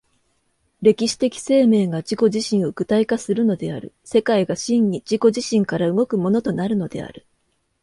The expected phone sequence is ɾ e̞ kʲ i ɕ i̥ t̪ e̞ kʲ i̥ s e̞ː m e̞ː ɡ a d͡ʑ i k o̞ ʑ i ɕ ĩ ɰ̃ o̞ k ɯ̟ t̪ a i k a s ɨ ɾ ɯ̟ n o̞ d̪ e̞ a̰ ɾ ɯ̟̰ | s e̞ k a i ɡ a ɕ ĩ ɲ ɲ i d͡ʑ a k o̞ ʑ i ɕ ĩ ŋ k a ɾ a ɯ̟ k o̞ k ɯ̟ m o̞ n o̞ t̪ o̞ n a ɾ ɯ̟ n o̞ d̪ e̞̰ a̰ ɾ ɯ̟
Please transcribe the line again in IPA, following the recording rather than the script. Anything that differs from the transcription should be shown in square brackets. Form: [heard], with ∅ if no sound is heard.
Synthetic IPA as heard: ɾ e̞ kʲ i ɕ i̥ t̪ e̞ kʲ i̥ s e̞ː m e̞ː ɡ a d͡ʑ i k o̞ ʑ i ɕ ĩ ɰ̃ o̞ k ɯ̟ t̪ a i k a s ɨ ɾ ɯ̟ n o̞ d̪ e̞ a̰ ɾ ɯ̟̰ | s e̞ k a i ɡ a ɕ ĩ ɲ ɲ i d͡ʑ [i] k o̞ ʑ i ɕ ĩ ŋ k a ɾ a ɯ̟ [ɡ] o̞ k ɯ̟ m o̞ n o̞ t̪ o̞ n a ɾ ɯ̟ n o̞ d̪ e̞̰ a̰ ɾ ɯ̟